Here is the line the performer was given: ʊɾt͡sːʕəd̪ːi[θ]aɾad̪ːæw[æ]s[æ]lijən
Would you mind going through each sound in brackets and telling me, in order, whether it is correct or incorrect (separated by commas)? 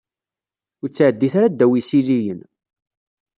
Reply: correct, incorrect, incorrect